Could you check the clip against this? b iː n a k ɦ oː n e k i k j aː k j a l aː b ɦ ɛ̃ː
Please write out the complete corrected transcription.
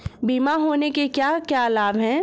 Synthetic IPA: b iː m a ɦ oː n e k e k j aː k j a l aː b ɦ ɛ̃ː